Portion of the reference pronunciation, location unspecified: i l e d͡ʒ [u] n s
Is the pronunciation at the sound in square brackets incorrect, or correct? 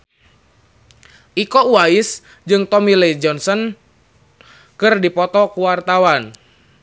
incorrect